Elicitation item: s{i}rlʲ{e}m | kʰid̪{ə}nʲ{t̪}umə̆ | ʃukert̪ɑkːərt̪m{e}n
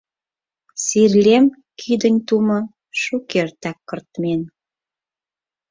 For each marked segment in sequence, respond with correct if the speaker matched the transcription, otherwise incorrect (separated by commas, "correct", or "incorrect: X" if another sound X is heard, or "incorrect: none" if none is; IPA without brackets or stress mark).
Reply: correct, correct, correct, correct, correct